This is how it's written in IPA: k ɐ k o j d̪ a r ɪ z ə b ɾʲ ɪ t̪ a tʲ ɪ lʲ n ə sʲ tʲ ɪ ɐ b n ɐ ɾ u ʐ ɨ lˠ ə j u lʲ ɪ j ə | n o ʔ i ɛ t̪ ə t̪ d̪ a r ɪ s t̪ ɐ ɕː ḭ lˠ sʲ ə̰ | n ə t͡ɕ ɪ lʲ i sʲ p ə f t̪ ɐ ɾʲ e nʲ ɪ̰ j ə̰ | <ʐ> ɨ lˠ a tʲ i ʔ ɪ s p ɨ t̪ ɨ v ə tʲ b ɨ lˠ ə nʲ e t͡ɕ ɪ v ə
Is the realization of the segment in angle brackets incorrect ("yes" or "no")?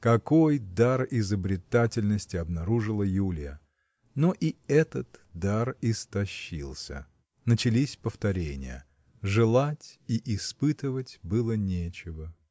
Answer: no